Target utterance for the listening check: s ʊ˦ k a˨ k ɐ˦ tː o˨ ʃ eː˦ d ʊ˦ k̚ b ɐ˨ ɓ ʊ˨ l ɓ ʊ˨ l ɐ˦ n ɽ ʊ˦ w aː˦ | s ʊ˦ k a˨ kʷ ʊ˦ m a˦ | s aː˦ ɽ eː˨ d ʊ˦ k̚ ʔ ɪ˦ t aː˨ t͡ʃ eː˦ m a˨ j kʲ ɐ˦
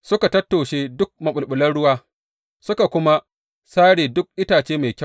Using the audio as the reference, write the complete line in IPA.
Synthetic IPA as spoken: s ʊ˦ k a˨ t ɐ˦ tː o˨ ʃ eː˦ d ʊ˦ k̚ m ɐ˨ ɓ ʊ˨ l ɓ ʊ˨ l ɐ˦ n ɽ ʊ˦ w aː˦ | s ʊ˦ k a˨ kʷ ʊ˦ m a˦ | s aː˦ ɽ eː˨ d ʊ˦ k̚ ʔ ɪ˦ t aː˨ t͡ʃ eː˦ m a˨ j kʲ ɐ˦

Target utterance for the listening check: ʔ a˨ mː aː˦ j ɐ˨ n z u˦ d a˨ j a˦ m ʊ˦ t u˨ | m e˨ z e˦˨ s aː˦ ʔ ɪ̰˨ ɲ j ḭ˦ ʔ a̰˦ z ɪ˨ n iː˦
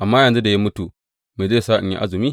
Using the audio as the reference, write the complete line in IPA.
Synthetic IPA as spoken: ʔ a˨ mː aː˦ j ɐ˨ n z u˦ d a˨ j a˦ m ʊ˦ t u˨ | m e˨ z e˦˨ s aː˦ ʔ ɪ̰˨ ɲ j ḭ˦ ʔ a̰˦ z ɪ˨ m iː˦

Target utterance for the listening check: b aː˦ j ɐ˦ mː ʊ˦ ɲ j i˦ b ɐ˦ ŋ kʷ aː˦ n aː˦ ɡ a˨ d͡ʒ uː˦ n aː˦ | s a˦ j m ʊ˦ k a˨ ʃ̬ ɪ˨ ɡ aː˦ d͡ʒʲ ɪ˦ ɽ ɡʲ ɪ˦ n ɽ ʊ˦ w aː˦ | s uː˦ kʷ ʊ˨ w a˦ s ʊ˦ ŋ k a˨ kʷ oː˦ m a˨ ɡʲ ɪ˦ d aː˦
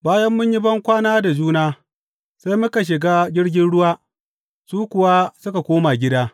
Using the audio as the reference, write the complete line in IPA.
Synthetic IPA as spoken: b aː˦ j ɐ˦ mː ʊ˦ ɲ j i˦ b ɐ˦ ŋ kʷ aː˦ n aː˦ d a˨ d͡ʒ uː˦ n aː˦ | s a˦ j m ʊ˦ k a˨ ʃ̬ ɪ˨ ɡ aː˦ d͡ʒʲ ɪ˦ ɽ ɡʲ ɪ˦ n ɽ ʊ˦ w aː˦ | s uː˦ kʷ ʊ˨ w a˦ s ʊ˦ k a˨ kʷ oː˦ m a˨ ɡʲ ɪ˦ d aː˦

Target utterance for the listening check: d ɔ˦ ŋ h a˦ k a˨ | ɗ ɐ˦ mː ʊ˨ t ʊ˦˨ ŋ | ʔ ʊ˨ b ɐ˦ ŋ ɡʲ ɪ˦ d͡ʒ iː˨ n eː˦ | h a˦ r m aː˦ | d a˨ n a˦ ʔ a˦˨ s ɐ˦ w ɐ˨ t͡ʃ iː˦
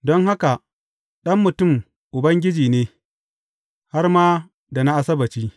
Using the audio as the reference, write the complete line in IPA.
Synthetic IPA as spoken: d ɔ˦ ŋ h a˦ k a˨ | ɗ ɐ˦ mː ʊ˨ t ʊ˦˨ m | ʔ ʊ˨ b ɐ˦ ŋ ɡʲ ɪ˦ d͡ʒ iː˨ n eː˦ | h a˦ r m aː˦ | d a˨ n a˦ ʔ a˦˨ s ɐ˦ b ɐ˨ t͡ʃ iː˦

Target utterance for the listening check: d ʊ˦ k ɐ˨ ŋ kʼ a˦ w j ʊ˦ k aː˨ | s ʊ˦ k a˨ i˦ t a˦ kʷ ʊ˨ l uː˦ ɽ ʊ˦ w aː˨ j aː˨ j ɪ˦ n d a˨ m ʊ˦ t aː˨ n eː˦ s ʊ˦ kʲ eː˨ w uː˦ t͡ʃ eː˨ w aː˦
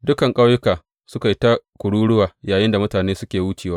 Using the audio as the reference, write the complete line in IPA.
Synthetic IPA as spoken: d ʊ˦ k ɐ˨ ŋ kʼ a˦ w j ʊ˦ k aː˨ | s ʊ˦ k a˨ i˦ t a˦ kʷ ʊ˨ ɽ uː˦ ɽ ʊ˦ w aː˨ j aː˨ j ɪ˦ n d a˨ m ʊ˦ t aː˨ n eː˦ s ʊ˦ kʲ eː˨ w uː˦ t͡ʃ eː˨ w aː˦

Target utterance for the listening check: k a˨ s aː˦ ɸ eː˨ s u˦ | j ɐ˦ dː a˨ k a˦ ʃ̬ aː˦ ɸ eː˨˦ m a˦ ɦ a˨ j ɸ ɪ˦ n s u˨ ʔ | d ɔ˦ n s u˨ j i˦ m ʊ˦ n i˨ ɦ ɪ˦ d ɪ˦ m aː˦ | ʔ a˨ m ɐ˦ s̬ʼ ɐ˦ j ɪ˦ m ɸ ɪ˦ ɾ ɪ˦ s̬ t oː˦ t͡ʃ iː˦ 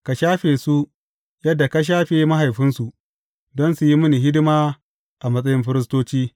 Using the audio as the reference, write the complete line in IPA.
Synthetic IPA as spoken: k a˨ ʃ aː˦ ɸ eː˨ s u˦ | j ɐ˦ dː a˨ k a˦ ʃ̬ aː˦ ɸ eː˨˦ m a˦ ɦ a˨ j ɸ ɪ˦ n s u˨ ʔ | d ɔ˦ n s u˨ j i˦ m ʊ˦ n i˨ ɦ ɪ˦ d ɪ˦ m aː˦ | ʔ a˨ m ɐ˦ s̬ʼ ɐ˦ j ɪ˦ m ɸ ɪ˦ ɾ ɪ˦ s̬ t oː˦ t͡ʃ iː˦

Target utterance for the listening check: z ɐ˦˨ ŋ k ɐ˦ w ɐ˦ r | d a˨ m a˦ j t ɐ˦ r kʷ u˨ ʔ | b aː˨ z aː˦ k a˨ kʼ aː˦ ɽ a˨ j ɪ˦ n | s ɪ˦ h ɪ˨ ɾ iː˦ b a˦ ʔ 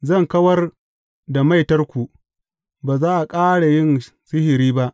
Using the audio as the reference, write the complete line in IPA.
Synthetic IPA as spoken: z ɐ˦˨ ŋ k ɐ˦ w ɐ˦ r | d a˨ m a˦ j t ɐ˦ r kʷ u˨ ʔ | b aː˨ z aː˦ ʔ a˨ kʼ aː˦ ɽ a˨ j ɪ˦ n | s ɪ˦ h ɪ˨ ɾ iː˦ b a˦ ʔ

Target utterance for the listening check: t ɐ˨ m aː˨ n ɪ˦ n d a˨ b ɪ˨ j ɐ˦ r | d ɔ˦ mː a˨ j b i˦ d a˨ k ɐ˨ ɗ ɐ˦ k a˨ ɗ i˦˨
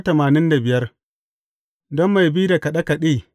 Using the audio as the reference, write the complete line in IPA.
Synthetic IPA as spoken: t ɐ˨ m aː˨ n ɪ˦ n d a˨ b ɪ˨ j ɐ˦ r | d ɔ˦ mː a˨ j b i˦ d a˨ k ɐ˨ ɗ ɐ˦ k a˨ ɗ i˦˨

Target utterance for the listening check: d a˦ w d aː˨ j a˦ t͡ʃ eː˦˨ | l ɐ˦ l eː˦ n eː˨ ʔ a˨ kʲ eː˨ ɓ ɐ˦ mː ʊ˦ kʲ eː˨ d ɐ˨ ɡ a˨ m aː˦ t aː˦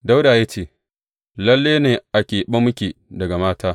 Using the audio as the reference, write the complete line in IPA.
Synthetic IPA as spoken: d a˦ w d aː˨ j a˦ t͡ʃ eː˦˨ | l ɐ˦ lː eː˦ n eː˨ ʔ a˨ kʲ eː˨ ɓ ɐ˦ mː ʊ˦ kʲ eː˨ d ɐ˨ ɡ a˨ m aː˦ t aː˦

